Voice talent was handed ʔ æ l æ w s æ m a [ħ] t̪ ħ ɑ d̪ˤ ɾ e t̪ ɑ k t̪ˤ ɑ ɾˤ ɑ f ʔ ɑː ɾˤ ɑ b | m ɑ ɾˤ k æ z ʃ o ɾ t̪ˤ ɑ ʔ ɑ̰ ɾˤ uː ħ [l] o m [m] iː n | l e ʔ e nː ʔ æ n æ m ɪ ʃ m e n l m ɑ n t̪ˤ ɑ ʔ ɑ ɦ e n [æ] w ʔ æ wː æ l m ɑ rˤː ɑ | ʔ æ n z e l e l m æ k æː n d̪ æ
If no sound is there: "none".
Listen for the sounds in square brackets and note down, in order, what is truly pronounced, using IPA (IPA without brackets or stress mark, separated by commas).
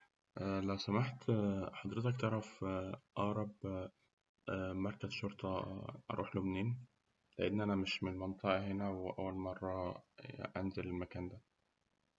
ħ, l, n, æ